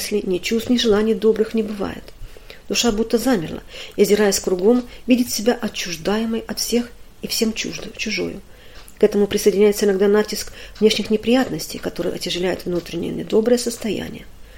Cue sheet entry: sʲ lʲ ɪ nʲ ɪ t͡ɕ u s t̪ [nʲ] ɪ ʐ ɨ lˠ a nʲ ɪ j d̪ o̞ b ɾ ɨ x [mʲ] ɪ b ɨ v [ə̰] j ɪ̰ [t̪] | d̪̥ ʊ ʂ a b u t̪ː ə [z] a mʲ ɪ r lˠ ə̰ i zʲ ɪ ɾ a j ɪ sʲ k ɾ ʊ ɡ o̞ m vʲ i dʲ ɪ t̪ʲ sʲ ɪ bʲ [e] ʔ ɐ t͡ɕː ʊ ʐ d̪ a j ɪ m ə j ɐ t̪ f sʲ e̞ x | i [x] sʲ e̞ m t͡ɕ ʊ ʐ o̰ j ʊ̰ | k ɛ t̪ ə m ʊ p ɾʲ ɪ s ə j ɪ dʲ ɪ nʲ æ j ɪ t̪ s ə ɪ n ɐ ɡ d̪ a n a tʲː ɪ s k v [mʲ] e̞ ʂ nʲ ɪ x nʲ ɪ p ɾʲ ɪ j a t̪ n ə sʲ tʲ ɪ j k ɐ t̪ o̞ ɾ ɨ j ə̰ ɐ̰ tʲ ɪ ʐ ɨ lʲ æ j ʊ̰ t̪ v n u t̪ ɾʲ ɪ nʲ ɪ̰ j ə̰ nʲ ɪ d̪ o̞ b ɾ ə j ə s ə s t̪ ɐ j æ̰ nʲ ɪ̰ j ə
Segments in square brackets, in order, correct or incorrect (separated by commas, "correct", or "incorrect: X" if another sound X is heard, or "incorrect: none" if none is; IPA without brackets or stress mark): correct, incorrect: nʲ, incorrect: a̰, correct, correct, incorrect: a, incorrect: f, incorrect: nʲ